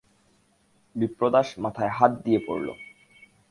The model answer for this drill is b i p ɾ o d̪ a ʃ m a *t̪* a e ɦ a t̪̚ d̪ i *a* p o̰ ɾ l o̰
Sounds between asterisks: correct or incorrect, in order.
incorrect: t̪ʰ, incorrect: e

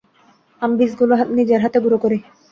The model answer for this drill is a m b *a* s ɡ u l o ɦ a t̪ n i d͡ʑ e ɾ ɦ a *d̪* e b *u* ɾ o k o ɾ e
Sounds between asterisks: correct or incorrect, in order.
incorrect: i, incorrect: t̪, correct

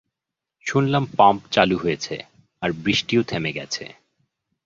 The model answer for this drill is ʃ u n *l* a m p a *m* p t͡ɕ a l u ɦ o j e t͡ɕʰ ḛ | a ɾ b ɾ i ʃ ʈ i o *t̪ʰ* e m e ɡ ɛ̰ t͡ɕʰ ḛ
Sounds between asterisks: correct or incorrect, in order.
correct, correct, correct

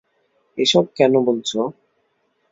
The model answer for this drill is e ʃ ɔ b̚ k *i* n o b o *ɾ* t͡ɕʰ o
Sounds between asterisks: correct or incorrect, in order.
incorrect: ɛ, incorrect: l

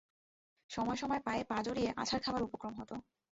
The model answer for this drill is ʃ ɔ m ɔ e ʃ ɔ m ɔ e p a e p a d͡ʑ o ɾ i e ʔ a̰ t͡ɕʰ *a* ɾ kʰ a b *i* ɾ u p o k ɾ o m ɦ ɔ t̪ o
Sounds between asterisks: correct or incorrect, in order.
correct, incorrect: a

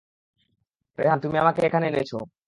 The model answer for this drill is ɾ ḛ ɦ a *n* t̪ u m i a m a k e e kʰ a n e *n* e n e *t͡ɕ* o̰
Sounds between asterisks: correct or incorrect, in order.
correct, incorrect: none, incorrect: t͡ɕʰ

